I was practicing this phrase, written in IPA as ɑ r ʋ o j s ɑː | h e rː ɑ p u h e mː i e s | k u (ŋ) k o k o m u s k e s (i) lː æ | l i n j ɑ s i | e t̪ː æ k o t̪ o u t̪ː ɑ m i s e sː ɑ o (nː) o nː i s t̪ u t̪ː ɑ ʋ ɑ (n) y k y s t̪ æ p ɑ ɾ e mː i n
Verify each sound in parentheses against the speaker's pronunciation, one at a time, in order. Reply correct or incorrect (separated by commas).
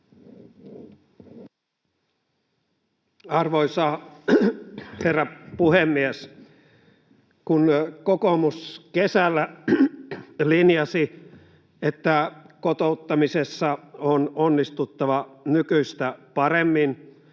incorrect, incorrect, incorrect, correct